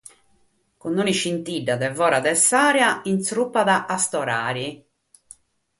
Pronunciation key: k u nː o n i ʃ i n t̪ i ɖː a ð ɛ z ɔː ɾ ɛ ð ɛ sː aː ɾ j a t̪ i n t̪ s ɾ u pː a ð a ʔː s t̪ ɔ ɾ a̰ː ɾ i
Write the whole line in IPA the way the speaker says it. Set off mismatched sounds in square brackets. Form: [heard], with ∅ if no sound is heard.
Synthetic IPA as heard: k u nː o n i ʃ i n t̪ i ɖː a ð ɛ [v] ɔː ɾ [a] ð ɛ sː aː ɾ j a [∅] i n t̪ s ɾ u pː a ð a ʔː s t̪ ɔ ɾ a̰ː ɾ i